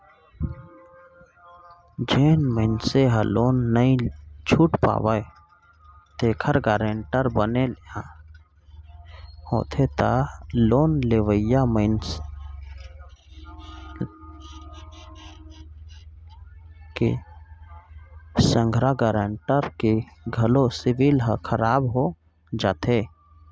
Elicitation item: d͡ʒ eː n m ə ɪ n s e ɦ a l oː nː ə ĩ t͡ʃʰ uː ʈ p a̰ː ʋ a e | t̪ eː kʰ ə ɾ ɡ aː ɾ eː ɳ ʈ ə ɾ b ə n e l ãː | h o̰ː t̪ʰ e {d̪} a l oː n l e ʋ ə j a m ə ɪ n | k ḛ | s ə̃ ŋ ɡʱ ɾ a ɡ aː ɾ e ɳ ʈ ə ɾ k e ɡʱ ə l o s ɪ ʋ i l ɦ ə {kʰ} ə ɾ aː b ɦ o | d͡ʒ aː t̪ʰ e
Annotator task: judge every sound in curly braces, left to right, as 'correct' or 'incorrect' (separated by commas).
incorrect, correct